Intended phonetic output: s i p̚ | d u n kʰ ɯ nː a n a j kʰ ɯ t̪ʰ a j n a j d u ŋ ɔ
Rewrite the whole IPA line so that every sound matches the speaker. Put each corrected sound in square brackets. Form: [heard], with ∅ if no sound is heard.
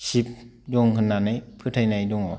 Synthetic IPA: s i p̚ | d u [ŋ] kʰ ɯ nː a n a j [pʰ] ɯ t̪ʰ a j n a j d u ŋ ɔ